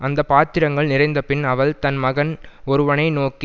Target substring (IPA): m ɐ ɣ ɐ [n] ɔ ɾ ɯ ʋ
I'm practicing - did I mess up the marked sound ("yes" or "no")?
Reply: no